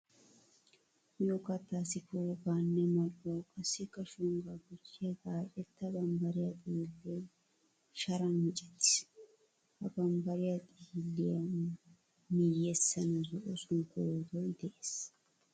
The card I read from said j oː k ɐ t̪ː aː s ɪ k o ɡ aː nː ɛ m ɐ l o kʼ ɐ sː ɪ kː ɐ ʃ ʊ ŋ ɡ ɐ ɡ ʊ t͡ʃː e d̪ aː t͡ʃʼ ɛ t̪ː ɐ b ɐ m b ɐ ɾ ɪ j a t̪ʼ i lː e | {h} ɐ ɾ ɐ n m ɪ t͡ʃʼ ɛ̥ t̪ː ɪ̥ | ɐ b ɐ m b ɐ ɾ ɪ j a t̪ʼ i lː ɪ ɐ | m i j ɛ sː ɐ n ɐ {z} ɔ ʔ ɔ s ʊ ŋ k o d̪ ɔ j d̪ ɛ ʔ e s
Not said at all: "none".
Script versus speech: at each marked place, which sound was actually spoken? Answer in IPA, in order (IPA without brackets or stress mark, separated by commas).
ʃ, z